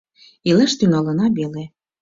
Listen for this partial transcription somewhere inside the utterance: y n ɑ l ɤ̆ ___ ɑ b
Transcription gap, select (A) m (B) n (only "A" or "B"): B